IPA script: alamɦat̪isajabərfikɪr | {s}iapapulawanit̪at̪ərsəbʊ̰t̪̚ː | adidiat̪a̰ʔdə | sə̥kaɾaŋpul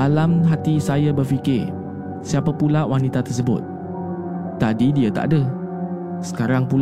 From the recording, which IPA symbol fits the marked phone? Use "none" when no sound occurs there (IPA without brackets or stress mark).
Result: s